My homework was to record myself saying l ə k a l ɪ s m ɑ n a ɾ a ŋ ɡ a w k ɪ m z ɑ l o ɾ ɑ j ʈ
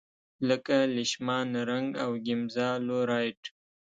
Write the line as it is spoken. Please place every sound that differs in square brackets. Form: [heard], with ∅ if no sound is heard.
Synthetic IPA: l ə k a l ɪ [ʃ] m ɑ n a ɾ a ŋ ɡ a w [ɡ] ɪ m z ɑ l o ɾ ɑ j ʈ